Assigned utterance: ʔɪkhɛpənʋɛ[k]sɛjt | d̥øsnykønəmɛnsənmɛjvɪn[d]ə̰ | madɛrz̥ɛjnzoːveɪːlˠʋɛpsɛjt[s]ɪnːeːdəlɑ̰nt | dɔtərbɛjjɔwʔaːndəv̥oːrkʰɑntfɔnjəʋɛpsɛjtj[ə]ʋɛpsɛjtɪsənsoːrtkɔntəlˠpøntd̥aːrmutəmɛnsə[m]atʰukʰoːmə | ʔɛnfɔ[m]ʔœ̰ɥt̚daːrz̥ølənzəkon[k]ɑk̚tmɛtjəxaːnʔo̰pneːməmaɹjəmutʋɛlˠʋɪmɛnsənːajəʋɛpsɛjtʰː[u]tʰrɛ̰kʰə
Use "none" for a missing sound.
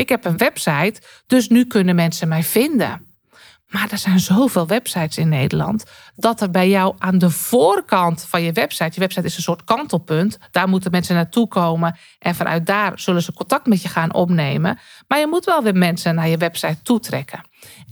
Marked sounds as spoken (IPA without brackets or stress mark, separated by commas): p, d, s, ə, n, n, t, u